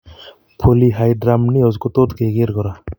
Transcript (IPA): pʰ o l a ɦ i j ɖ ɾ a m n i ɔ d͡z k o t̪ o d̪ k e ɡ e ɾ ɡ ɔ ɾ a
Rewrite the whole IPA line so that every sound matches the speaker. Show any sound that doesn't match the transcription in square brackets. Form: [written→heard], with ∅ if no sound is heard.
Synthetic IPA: pʰ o l [a→i] ɦ [i→a] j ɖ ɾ a m n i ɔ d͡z k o t̪ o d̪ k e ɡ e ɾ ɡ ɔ ɾ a